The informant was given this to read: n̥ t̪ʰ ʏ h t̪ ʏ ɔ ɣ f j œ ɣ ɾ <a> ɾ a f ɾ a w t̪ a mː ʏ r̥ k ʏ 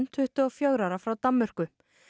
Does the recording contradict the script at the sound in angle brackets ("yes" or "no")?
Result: no